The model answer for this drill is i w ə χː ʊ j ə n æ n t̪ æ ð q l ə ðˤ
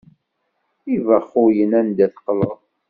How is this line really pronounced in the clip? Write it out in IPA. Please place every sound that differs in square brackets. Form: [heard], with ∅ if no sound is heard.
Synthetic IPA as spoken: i [v] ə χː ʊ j ə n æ n [d̪] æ [θ] q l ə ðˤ